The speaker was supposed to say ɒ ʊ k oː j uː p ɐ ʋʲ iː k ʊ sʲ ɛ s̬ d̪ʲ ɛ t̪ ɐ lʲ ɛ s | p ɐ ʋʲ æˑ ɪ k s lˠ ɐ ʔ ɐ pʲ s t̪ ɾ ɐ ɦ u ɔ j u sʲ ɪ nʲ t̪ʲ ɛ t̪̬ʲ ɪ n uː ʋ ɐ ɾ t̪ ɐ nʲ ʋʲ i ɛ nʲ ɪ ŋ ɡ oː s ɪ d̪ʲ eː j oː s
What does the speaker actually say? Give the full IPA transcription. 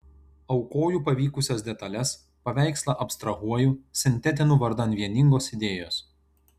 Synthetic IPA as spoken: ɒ ʊ k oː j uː p ɐ ʋʲ iː k ʊ sʲ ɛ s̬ d̪ʲ ɛ t̪ ɐ lʲ ɛ s | p ɐ ʋʲ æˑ ɪ k s lˠ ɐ ʔ ɐ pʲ s t̪ ɾ ɐ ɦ u ɔ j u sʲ ɪ nʲ t̪ʲ ɛ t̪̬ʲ ɪ n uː ʋ ɐ ɾ d̪ ɐ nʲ ʋʲ i ɛ nʲ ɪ ŋ ɡ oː s ɪ d̪ʲ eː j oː s